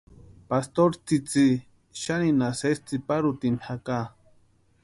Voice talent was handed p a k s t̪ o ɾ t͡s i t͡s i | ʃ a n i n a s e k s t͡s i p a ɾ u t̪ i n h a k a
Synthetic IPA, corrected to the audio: p a s t̪ o ɾ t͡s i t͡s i | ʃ a n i n a s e s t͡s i p a ɾ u t̪ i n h a k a

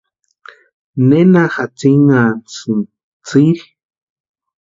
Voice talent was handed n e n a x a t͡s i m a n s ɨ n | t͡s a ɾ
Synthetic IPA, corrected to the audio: n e n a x a t͡s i ŋ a n s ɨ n | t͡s i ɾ

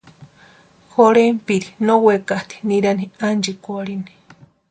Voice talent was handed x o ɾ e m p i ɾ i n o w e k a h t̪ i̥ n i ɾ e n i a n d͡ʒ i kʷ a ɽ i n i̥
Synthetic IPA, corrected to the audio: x o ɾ e m p i ɾ i n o w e k a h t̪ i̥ n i ɾ a n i a n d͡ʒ i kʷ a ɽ i n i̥

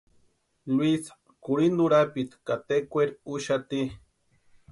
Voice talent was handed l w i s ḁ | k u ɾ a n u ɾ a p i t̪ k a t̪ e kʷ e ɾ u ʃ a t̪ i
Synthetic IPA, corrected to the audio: l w i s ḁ | k u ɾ i n u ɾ a p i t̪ k a t̪ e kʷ e ɾ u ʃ a t̪ i

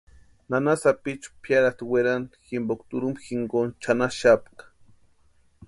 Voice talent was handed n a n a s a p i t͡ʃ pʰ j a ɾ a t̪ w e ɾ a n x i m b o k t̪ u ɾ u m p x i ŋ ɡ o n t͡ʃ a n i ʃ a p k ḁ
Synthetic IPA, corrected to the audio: n a n a s a p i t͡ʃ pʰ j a ɾ a t̪ w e ɾ a n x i m b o k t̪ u ɾ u m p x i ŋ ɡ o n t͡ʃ a n a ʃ a p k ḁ

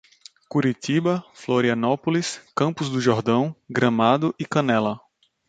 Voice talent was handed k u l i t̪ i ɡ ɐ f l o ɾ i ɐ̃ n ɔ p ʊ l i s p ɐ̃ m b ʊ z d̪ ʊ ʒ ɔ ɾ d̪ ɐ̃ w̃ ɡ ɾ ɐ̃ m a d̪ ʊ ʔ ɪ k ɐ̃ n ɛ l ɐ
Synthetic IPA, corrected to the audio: k u ɾ i t̪ i b ɐ f l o ɾ i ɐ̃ n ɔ p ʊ l i s k ɐ̃ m p ʊ z d̪ ʊ ʒ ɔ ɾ d̪ ɐ̃ w̃ ɡ ɾ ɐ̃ m a d̪ ʊ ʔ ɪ k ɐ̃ n ɛ l ɐ

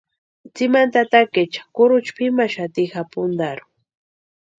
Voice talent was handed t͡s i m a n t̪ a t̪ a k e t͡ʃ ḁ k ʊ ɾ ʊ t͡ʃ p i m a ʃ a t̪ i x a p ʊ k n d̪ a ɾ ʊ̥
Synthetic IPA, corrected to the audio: t͡s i m a n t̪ a t̪ a k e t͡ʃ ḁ k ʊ ɾ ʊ t͡ʃ p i m a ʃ a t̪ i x a p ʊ n d̪ a ɾ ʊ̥

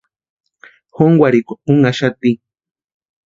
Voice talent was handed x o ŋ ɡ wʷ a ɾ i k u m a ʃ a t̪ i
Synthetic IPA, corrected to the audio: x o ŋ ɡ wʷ a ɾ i k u ŋ a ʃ a t̪ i

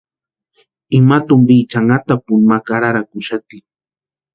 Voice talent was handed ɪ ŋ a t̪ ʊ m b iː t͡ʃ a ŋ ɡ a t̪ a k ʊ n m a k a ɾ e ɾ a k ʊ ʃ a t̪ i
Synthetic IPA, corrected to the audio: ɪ m a t̪ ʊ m b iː t͡ʃ a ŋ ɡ a t̪ a p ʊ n m a k a ɾ a ɾ a k ʊ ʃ a t̪ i

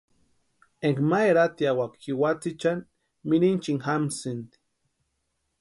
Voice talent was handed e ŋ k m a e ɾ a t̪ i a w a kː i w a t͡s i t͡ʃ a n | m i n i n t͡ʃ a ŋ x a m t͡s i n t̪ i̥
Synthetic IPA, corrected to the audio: e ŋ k m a e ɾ a t̪ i a w a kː i w a t͡s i t͡ʃ a n | m i n i n t͡ʃ i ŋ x a m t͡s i n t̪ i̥

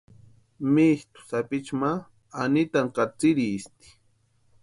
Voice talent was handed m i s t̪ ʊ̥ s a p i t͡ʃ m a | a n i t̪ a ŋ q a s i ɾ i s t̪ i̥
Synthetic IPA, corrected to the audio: m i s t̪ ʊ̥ s a p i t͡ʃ m a | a n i t̪ a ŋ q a t͡s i ɾ i s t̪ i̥

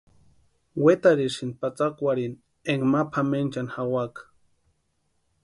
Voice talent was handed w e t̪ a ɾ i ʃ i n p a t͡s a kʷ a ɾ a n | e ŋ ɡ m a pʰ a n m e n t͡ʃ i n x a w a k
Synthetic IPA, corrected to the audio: w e t̪ a ɾ i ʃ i n p a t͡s a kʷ a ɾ i n | e ŋ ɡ m a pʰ a m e n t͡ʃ a n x a w a k

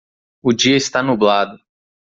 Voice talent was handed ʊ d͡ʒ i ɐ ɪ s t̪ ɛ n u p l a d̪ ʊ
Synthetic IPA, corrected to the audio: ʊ d͡ʒ i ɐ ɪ s t̪ a n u b l a d̪ ʊ

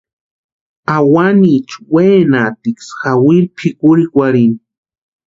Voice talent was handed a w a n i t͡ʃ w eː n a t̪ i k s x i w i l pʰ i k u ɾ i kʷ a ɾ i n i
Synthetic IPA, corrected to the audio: a w a n i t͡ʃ w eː n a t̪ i k s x a w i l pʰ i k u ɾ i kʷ a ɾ i n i

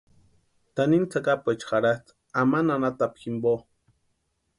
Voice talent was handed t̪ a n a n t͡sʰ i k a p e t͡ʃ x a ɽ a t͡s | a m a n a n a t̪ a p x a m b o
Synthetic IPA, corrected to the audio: t̪ a n i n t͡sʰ a k a p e t͡ʃ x a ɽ a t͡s | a m a n a n a t̪ a p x i m b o

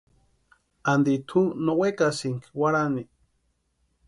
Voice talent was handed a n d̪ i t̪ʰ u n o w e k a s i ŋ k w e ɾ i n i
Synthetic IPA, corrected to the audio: a n d̪ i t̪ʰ u n o w e k a s i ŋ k w a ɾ a n i

